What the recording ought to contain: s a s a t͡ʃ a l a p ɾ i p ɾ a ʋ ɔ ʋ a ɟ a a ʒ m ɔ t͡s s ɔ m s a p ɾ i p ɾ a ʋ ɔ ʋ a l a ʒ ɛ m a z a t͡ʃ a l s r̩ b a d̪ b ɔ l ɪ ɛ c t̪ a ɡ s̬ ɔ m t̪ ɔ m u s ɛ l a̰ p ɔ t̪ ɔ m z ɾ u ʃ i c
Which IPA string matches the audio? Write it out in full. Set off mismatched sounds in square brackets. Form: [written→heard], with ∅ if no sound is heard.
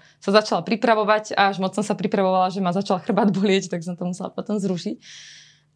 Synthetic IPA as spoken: s a [s→z] a t͡ʃ a l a p ɾ i p ɾ a ʋ ɔ ʋ a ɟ a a ʒ m ɔ t͡s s ɔ m s a p ɾ i p ɾ a ʋ ɔ ʋ a l a ʒ ɛ m a z a t͡ʃ a l [s→x] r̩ b a d̪ b ɔ l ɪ ɛ c t̪ a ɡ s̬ ɔ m t̪ ɔ m u s ɛ l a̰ p ɔ t̪ ɔ m z ɾ u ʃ i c